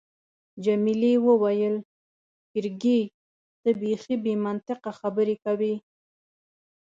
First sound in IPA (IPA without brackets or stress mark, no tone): d͡ʒ